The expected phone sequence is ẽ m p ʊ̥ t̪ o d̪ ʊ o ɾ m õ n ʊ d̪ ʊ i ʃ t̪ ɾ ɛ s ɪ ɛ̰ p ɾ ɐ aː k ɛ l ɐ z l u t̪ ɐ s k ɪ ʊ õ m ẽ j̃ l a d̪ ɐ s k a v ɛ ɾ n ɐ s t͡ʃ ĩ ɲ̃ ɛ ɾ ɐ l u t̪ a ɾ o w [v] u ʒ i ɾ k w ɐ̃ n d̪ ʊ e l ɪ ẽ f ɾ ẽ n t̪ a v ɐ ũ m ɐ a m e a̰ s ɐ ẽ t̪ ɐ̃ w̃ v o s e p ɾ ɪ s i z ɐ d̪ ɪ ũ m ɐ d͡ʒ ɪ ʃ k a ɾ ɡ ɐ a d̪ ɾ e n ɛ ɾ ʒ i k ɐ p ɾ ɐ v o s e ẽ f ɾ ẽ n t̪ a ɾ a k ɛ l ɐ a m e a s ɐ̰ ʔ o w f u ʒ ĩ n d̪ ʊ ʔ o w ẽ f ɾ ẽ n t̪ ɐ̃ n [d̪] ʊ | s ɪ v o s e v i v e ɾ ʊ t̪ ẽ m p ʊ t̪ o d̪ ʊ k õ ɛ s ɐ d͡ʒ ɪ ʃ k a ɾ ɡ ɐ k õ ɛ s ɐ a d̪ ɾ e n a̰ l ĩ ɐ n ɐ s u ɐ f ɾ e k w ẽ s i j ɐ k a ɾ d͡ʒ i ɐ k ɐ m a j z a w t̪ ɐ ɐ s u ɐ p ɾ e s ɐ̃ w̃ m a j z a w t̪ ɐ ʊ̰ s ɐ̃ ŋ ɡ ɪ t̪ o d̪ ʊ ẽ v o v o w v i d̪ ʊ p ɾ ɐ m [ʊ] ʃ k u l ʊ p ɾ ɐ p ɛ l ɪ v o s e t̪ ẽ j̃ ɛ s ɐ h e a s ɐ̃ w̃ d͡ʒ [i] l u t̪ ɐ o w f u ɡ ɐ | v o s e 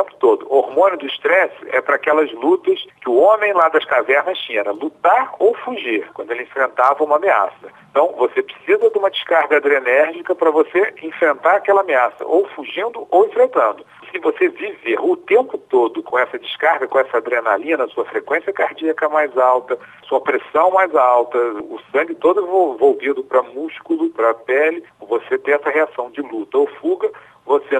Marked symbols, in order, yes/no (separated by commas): no, yes, no, no